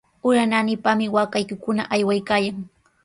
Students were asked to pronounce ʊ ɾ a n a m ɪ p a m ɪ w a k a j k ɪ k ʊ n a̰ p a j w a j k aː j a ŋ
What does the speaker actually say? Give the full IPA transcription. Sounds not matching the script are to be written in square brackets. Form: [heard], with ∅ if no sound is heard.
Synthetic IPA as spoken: ʊ ɾ a n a [n] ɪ p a m ɪ w a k a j k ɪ k ʊ n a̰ [ʔ] a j w a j k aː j a ŋ